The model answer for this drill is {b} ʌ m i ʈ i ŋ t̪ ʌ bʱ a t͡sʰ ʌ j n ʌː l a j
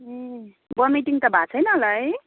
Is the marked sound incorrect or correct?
correct